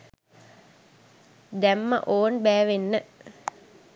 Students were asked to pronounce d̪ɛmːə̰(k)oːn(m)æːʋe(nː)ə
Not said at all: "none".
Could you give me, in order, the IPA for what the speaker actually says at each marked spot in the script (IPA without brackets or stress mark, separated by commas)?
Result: ʔ, b, nː